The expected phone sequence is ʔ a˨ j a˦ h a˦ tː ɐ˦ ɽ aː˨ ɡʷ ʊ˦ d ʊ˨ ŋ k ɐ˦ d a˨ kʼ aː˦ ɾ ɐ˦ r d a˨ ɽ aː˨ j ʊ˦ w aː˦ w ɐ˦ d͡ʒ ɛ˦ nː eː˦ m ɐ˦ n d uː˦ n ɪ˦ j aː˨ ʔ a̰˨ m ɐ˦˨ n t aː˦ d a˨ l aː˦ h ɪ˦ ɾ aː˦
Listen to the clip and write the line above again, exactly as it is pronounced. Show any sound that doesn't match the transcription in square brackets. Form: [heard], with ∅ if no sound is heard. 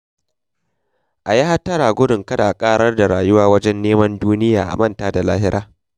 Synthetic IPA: ʔ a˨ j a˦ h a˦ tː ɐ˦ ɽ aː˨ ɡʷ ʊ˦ d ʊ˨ ŋ k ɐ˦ d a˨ kʼ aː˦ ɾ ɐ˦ r d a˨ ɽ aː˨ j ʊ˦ w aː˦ w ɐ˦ d͡ʒ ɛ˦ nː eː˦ m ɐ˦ n d uː˦ n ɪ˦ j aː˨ ʔ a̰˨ m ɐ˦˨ n t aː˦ d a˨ l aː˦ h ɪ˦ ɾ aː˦